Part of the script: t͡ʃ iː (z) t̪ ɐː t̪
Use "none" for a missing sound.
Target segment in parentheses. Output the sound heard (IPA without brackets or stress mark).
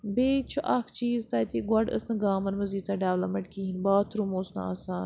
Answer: z